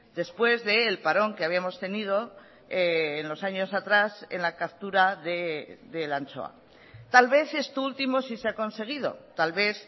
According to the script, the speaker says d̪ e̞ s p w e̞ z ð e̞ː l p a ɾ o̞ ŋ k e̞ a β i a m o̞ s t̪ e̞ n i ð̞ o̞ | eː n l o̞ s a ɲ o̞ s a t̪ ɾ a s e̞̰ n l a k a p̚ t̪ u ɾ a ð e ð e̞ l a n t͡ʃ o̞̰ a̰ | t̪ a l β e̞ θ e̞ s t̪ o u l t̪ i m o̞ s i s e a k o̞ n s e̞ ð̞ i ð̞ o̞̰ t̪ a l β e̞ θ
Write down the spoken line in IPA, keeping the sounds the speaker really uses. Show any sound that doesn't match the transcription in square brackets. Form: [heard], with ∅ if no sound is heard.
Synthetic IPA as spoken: d̪ e̞ s p w e̞ z ð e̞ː l p a ɾ o̞ ŋ k e̞ a β i a m o̞ s t̪ e̞ n i ð̞ o̞ | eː n l o̞ s a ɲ o̞ s a t̪ ɾ a s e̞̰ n l a k a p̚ t̪ u ɾ a ð e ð e̞ l a n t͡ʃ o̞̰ a̰ | t̪ a l β e̞ θ e̞ s t̪ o u l t̪ i m o̞ s i s e a k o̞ n s e̞ [ɣ̞] i ð̞ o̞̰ t̪ a l β e̞ θ